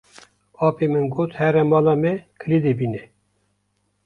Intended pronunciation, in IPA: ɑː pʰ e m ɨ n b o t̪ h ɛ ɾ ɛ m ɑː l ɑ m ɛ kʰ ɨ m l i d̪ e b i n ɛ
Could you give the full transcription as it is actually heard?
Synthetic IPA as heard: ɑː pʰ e m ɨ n ɡ o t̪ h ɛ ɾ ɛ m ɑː l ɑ m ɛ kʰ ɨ l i d̪ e b i n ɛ